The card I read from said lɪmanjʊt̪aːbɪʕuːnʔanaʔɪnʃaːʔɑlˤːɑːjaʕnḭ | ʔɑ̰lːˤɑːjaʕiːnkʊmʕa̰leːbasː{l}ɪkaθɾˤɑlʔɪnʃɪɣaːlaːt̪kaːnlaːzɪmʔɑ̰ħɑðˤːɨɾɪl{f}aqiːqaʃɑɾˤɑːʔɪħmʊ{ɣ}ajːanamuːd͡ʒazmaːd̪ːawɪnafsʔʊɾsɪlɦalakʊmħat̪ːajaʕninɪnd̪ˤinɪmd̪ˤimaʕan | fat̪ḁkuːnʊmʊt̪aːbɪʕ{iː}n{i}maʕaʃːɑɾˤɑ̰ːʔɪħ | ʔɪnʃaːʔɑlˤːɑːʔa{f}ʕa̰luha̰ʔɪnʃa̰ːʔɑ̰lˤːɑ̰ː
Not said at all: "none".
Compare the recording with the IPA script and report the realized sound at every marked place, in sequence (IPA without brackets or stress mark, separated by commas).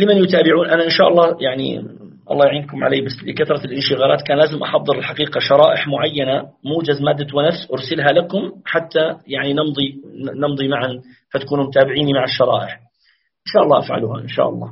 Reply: l, ħ, ʕ, iː, i, f